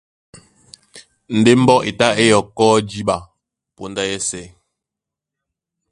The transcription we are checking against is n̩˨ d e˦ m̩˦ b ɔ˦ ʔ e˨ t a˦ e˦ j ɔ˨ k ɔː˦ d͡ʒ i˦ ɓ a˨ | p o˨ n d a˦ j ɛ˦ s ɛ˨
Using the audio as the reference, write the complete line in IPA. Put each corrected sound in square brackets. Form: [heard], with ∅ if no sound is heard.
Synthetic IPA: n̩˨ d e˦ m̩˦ b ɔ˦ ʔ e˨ t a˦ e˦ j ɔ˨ k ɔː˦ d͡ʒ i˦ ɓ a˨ | p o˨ n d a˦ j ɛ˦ s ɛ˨